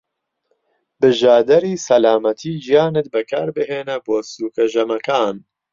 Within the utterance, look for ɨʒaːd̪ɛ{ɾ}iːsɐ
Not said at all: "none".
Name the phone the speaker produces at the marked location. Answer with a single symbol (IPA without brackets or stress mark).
ɾ